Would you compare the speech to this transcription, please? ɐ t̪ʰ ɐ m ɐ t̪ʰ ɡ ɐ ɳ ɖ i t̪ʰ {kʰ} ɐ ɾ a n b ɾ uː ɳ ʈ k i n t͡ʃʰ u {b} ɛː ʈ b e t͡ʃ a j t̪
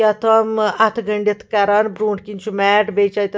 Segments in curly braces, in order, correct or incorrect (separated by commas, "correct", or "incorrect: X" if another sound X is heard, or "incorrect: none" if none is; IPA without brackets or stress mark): incorrect: k, incorrect: m